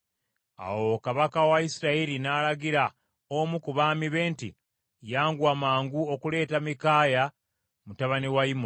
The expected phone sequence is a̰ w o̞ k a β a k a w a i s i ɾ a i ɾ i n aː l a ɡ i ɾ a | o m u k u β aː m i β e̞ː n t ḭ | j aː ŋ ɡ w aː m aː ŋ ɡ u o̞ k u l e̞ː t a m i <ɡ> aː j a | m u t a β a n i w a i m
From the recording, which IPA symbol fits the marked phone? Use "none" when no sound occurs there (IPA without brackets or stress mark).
k